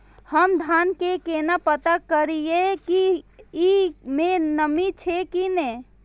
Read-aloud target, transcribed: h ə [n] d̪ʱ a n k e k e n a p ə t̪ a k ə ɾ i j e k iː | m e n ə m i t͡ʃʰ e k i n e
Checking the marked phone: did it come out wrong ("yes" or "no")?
yes